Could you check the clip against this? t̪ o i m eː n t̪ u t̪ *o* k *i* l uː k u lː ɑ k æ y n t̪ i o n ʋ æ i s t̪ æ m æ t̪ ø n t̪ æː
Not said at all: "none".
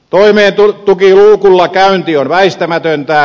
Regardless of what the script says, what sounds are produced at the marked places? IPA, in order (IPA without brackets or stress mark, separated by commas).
u, i